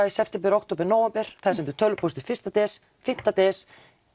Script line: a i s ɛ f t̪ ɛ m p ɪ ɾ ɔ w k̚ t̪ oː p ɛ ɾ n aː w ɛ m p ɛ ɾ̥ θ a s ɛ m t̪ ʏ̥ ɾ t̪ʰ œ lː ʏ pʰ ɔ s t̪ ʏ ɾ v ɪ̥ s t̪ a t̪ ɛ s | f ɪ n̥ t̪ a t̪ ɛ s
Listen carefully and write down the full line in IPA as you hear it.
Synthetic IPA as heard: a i s ɛ f t̪ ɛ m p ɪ ɾ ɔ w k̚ t̪ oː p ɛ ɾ n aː w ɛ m p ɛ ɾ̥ θ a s ɛ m t̪ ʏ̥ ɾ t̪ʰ œ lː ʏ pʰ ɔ s t̪ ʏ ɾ f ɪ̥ s t̪ a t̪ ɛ s | f ɪ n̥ t̪ a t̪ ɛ s